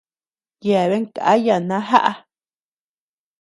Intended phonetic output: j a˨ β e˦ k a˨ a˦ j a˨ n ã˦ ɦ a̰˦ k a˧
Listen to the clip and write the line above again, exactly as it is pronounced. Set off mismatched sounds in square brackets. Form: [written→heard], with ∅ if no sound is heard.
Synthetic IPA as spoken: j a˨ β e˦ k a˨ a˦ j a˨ n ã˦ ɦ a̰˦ [k→ʔ] a˧